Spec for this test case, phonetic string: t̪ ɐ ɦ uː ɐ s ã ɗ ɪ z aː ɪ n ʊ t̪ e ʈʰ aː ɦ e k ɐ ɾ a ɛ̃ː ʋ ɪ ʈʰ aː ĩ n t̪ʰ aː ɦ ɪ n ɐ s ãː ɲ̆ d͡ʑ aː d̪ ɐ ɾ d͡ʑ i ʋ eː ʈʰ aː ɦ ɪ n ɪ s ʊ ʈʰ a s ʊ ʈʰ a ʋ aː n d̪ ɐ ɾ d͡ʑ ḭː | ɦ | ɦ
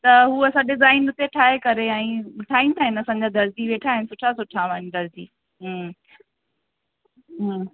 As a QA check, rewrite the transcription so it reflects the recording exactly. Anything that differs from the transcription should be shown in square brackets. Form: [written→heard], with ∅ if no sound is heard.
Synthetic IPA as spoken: t̪ ɐ ɦ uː ɐ s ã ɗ ɪ z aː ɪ n ʊ t̪ e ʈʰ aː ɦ e k ɐ ɾ [a→e] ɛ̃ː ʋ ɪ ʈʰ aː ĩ n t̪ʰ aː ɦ ɪ n ɐ s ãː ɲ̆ d͡ʑ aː d̪ ɐ ɾ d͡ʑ i ʋ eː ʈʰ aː ɦ ɪ n ɪ s ʊ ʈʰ a s ʊ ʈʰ a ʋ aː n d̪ ɐ ɾ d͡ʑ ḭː | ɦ | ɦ